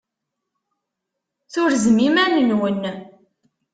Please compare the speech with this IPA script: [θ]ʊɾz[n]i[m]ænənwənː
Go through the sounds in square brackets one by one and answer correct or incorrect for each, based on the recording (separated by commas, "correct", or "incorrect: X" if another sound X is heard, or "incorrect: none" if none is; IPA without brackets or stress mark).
correct, incorrect: m, correct